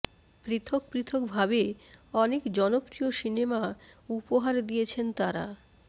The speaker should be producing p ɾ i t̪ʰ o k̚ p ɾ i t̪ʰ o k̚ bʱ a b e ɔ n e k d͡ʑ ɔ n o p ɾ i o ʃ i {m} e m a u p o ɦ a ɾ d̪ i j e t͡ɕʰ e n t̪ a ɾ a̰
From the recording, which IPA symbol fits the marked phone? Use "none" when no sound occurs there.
n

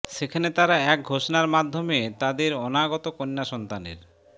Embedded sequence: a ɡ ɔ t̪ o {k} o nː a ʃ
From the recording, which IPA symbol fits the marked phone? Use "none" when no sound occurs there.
k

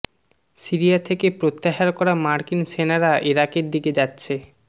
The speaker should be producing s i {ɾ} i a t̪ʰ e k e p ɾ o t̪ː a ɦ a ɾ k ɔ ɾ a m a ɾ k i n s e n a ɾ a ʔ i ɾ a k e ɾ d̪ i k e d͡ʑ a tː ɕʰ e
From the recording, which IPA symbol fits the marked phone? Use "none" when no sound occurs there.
ɾ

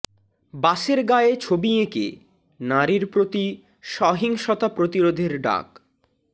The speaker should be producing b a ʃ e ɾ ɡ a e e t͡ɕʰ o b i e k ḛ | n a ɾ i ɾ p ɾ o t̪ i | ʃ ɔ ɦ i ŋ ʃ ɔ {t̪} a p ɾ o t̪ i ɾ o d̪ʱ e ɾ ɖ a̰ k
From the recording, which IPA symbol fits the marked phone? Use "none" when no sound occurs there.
t̪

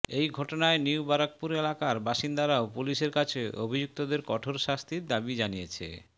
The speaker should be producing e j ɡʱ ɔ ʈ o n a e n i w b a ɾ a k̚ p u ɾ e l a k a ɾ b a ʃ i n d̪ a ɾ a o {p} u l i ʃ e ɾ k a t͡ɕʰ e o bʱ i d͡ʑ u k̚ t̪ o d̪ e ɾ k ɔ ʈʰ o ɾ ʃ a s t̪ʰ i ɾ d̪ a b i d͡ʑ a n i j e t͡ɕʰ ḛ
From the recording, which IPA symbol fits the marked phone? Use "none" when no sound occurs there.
p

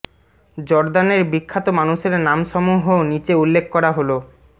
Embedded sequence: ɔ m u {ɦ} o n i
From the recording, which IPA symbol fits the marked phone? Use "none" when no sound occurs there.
ɦ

